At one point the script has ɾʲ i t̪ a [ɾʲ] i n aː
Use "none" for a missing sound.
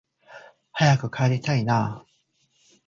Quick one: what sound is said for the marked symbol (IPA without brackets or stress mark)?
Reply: none